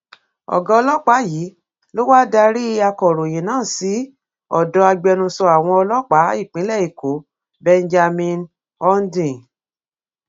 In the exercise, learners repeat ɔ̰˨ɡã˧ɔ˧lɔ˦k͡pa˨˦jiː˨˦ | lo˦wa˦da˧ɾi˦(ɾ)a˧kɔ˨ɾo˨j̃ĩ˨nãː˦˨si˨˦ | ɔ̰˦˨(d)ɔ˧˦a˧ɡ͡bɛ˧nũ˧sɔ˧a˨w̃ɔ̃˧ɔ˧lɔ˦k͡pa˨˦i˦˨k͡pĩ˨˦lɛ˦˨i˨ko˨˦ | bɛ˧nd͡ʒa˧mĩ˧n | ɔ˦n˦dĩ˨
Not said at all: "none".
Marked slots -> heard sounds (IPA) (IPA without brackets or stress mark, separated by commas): none, d